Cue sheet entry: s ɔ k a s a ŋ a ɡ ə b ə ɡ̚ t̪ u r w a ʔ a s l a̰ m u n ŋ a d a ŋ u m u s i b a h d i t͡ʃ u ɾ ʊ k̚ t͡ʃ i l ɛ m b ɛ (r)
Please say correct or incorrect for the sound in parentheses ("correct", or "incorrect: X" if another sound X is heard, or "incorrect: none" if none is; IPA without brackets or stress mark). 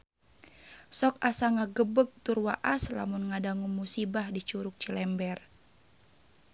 correct